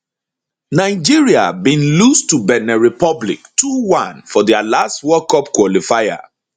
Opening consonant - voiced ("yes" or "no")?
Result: yes